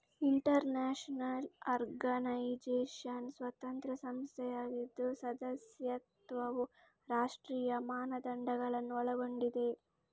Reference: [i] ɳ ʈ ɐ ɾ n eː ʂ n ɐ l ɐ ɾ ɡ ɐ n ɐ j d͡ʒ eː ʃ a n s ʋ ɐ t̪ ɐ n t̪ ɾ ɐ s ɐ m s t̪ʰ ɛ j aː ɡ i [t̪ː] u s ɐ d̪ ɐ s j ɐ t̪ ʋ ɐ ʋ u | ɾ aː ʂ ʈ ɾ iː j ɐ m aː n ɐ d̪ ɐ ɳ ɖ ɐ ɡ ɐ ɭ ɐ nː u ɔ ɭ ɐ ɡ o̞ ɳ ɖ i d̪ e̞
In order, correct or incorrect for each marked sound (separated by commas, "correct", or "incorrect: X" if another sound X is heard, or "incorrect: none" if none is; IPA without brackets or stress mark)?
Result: correct, incorrect: d̪ː